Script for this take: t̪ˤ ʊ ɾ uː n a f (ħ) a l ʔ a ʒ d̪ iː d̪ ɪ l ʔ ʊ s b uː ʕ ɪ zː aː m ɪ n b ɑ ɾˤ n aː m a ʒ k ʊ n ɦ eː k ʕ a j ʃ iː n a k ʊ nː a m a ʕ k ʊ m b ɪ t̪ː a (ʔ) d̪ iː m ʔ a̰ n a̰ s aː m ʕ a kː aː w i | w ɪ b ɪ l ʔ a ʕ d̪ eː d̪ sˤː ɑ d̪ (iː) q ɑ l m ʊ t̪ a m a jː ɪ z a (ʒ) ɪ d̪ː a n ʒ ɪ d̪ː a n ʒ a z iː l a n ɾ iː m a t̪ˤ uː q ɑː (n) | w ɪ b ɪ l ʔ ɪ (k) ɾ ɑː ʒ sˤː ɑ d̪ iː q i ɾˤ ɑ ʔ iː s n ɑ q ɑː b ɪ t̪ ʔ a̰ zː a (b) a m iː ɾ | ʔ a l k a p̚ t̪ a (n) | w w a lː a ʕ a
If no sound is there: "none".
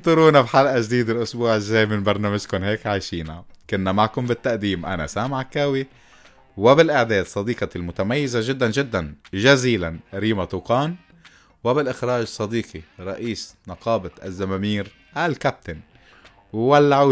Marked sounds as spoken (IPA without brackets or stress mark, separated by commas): ħ, ʔ, iː, ʒ, n, x, m, n